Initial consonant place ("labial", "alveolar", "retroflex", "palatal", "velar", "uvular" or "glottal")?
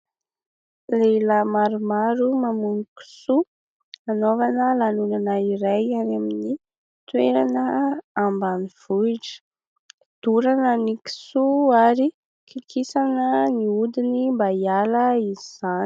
alveolar